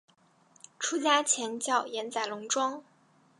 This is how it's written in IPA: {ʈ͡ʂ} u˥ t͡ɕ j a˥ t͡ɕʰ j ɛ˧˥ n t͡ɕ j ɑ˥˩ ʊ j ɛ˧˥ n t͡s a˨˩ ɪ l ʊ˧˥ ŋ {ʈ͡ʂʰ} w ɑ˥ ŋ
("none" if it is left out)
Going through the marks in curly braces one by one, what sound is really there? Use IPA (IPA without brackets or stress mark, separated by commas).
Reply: ʈ͡ʂʰ, ʈ͡ʂ